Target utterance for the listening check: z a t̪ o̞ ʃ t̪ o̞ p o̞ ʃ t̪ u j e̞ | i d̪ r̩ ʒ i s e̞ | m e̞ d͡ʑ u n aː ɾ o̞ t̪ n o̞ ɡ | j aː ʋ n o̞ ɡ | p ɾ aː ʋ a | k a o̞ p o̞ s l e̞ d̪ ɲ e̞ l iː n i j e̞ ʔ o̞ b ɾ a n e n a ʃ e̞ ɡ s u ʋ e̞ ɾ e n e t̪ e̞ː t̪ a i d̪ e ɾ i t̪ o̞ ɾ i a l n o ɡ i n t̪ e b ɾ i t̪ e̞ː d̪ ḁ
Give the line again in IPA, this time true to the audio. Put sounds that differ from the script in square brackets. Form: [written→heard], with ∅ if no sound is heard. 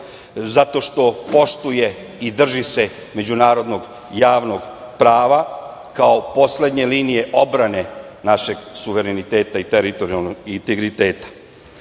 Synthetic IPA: z a t̪ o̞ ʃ t̪ o̞ p o̞ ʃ t̪ u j e̞ | i d̪ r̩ ʒ i s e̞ | m e̞ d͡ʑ u n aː ɾ o̞ [t̪→d̪] n o̞ ɡ | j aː ʋ n o̞ ɡ | p ɾ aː ʋ a | k a o̞ p o̞ s l e̞ d̪ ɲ e̞ l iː n i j e̞ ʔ o̞ b ɾ a n e n a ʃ e̞ ɡ s u ʋ e̞ ɾ e n [e→i] t̪ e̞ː t̪ a i [d̪→t̪] e ɾ i t̪ o̞ ɾ i a l n o ɡ i n t̪ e [b→ɡ] ɾ i t̪ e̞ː [d̪→t̪] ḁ

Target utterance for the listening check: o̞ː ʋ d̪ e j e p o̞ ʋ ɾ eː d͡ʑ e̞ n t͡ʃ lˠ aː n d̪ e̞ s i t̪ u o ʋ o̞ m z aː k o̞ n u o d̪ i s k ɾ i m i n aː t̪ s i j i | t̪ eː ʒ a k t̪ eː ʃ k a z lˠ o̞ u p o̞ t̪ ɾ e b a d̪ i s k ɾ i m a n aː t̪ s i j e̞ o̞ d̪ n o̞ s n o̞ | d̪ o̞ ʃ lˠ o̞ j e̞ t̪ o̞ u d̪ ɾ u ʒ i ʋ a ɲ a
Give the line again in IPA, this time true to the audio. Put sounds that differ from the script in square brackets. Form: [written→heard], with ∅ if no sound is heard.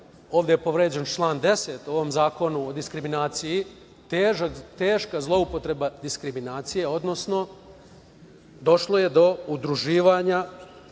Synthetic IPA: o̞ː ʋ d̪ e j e p o̞ ʋ ɾ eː d͡ʑ e̞ n t͡ʃ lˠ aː n d̪ e̞ s [i→e] t̪ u o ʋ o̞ m z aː k o̞ n u o d̪ i s k ɾ i m i n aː t̪ s i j i | t̪ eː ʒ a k t̪ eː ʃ k a z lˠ o̞ u p o̞ t̪ ɾ e b a d̪ i s k ɾ i m [a→i] n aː t̪ s i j e̞ o̞ d̪ n o̞ s n o̞ | d̪ o̞ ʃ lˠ o̞ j e̞ [t̪→d̪] o̞ u d̪ ɾ u ʒ [i→iː] ʋ a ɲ a

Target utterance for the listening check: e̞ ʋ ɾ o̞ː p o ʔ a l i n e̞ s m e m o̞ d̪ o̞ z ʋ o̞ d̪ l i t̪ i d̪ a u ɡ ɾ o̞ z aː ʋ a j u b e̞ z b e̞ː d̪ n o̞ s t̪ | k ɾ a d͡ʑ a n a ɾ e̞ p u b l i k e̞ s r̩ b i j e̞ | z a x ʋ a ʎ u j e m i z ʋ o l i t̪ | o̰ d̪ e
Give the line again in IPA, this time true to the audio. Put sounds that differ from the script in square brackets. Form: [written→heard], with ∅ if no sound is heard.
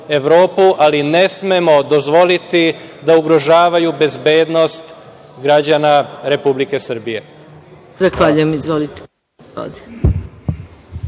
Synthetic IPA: e̞ ʋ ɾ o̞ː p [o→u] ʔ a l i n e̞ s m e m o̞ d̪ o̞ z ʋ o̞ [d̪→∅] l i t̪ i d̪ a u ɡ ɾ o̞ [z→ʒ] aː ʋ a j u b e̞ z b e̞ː d̪ n o̞ s t̪ | [k→ɡ] ɾ a d͡ʑ a n a ɾ e̞ p u b l i k e̞ s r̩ b i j e̞ | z a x ʋ a ʎ u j e m i z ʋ o l i t̪ | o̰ d̪ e

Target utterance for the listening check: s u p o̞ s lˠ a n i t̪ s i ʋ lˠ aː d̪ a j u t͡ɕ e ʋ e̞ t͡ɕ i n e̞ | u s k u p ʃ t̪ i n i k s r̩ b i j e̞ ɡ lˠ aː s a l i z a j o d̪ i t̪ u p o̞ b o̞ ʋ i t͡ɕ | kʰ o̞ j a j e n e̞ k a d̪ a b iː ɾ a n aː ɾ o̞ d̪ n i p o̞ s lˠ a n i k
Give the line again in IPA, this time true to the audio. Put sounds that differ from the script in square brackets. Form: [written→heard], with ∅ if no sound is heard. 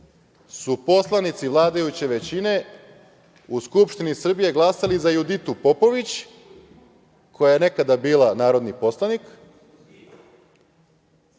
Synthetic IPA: s u p o̞ s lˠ a n i t̪ s i ʋ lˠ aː d̪ a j u t͡ɕ e ʋ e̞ t͡ɕ i n e̞ | u s k u p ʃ t̪ i n i [k→∅] s r̩ b i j e̞ ɡ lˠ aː s a l i z a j [o→u] d̪ i t̪ u p o̞ [b→p] o̞ ʋ i t͡ɕ | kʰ o̞ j a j e n e̞ k a d̪ a b iː [ɾ→l] a n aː ɾ o̞ d̪ n i p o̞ s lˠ a n i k

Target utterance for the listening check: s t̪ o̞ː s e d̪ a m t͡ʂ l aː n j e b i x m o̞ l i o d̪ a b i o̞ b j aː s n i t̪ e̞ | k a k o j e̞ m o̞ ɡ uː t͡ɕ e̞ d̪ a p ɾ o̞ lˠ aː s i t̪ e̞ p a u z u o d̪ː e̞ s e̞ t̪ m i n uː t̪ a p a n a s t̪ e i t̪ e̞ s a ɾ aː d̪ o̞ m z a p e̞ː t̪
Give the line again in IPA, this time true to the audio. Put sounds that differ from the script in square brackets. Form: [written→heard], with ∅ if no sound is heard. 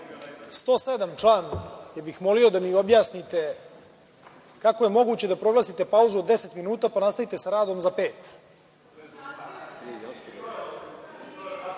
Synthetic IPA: s t̪ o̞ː s e d̪ a m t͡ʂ l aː n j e b i x m o̞ l i o d̪ a [b→m] i o̞ b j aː s n i t̪ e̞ | k a k o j e̞ m o̞ ɡ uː t͡ɕ e̞ d̪ a p ɾ o̞ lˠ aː s i t̪ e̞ p a u z u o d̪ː e̞ s e̞ t̪ m i n uː t̪ a p a n a s t̪ [e→a] i t̪ e̞ s a ɾ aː d̪ o̞ m z a p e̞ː t̪

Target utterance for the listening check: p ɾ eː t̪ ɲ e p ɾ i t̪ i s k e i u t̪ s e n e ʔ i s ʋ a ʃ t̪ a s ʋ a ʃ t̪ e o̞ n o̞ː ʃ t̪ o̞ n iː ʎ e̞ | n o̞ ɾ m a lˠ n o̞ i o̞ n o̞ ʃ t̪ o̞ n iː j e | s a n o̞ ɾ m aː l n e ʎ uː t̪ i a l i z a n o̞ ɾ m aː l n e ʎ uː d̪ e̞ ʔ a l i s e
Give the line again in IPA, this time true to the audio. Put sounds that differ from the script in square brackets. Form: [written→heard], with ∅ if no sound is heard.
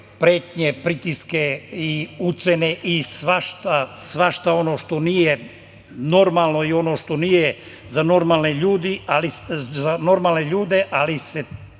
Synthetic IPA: p ɾ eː t̪ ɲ e p ɾ i t̪ i s k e i u t̪ s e n e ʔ i s ʋ a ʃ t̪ a s ʋ a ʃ t̪ [e→a] o̞ n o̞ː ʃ t̪ o̞ n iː [ʎ→j] e̞ | n o̞ ɾ m a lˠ n o̞ i o̞ n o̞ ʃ t̪ o̞ n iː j e | [s→z] a n o̞ ɾ m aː l n e ʎ uː [t̪→d̪] i a l i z a n o̞ ɾ m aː l n e ʎ uː d̪ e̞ ʔ a l i s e

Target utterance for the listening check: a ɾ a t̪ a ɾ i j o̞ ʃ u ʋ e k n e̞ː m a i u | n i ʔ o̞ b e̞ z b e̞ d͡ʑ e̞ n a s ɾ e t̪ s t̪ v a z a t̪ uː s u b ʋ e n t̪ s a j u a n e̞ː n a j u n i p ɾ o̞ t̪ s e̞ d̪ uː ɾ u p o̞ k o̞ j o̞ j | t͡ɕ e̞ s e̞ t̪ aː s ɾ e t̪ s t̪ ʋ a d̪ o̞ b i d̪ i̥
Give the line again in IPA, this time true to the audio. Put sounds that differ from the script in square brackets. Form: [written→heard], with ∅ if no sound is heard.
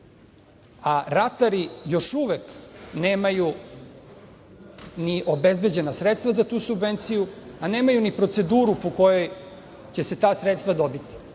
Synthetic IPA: a ɾ a t̪ a ɾ i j o̞ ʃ u ʋ e k n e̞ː m a [i→j] u | n i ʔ o̞ b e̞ z b e̞ d͡ʑ e̞ n a s ɾ e t̪ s t̪ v a z a t̪ uː s u b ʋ e n t̪ s [a→i] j u a n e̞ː [n→m] a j u n i p ɾ o̞ t̪ s e̞ d̪ uː ɾ u p o̞ k o̞ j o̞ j | t͡ɕ e̞ s e̞ t̪ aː s ɾ e t̪ s t̪ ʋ a d̪ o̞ b i [d̪→t̪] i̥

